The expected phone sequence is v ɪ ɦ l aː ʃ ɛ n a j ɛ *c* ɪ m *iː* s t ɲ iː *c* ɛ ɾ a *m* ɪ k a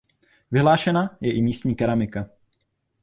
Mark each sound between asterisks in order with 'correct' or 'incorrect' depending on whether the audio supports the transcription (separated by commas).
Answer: incorrect, correct, incorrect, correct